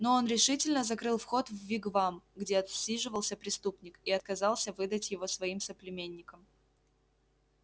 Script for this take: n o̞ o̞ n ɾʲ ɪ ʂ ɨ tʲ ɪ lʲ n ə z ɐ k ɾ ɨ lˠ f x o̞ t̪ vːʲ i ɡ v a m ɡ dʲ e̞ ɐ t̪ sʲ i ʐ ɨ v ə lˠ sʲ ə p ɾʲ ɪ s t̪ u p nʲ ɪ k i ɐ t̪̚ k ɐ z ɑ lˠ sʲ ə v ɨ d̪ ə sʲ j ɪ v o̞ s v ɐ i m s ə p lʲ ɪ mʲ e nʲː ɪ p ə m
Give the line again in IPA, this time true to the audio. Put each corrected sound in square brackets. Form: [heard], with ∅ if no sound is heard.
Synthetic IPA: n o̞ o̞ n ɾʲ ɪ ʂ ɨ tʲ ɪ lʲ n ə z ɐ k ɾ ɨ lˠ f x o̞ t̪ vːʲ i ɡ v a m ɡ dʲ e̞ ɐ t̪ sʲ i ʐ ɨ v ə lˠ sʲ ə p ɾʲ ɪ s t̪ u p nʲ ɪ k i ɐ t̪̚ k ɐ z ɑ lˠ sʲ ə v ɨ d̪ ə [tʲ] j ɪ v o̞ s v ɐ i m s ə p lʲ ɪ mʲ e nʲː ɪ [k] ə m